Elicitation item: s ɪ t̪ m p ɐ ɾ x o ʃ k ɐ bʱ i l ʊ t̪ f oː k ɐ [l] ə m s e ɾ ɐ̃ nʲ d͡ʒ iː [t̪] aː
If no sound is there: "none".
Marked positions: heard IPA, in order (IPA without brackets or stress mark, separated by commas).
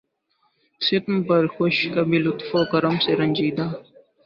ɾ, d̪